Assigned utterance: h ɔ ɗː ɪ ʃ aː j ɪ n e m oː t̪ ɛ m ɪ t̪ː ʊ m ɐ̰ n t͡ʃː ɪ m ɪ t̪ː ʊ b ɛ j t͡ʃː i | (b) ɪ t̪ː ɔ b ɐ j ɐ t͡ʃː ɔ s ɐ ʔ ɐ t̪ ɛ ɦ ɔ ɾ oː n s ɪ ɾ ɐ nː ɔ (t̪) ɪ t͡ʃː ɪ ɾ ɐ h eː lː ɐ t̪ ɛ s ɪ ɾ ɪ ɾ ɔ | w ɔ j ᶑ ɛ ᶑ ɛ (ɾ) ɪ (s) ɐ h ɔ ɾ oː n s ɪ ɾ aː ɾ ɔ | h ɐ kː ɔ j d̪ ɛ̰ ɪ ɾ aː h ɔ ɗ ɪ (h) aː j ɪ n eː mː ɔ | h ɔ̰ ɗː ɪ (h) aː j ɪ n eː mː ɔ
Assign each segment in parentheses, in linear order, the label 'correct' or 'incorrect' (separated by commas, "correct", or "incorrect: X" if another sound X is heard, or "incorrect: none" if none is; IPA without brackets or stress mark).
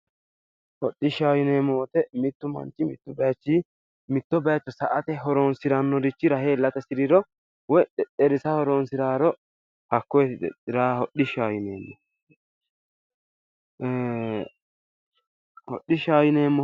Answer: incorrect: m, incorrect: d̪, correct, correct, incorrect: ʃ, incorrect: ʃ